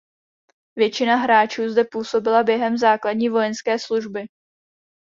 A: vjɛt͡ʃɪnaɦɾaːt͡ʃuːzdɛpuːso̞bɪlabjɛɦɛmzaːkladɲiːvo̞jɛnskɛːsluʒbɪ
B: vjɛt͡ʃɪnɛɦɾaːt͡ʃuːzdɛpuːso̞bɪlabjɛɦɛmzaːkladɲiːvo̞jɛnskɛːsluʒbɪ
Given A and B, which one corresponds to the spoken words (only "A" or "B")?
A